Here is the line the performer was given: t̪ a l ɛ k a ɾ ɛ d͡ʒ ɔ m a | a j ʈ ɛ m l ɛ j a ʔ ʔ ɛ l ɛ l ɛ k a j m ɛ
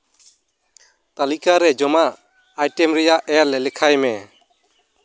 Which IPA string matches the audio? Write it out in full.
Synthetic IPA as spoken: t̪ a l i k a ɾ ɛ d͡ʒ ɔ m a | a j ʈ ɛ m ɾ ɛ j a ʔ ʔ ɛ l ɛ l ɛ kʰ a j m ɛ